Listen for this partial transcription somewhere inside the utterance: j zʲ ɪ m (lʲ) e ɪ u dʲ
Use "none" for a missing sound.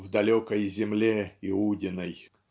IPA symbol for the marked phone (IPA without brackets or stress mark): lʲ